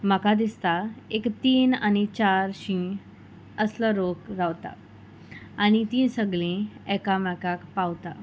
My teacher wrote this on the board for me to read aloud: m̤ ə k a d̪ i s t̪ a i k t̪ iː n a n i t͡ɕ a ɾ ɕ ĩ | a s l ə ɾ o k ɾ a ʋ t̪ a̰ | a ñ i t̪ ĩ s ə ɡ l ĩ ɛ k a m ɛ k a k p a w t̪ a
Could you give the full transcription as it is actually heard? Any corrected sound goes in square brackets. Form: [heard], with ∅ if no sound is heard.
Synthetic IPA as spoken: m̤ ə k a d̪ i s t̪ a [e] k t̪ iː n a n i t͡ɕ a ɾ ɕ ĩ | [ə] s l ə ɾ o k ɾ a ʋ t̪ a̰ | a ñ i t̪ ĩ s ə ɡ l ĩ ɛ k a m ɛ k a k p a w t̪ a